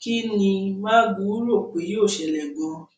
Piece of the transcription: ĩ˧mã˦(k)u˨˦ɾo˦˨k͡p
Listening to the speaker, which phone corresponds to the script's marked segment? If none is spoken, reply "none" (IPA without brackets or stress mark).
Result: ɡ